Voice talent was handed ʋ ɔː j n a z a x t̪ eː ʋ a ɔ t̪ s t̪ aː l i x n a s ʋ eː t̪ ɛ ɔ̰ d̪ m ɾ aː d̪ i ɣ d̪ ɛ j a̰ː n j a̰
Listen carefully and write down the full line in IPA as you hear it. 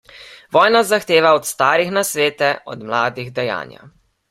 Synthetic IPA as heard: ʋ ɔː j n a z a x t̪ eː ʋ a ɔ t̪ s t̪ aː ɾ i x n a s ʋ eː t̪ ɛ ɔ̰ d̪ m l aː d̪ i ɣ d̪ ɛ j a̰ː n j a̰